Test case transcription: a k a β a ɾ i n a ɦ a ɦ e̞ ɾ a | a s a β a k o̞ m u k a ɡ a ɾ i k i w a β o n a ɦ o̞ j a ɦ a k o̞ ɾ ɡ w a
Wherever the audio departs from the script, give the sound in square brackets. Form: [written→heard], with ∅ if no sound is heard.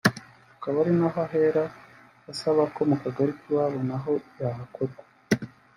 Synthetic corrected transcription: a k a β a ɾ i n a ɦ a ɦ e̞ ɾ a | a s a β a k o̞ m u k a ɡ a ɾ i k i w a β o n a ɦ o̞ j a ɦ a k o̞ ɾ ɡ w a